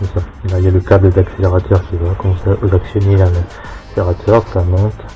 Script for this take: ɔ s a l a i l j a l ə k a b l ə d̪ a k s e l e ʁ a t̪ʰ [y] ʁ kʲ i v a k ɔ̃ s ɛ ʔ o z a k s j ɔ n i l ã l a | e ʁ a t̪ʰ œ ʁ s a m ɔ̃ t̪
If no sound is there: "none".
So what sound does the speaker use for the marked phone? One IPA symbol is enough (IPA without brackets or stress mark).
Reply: œ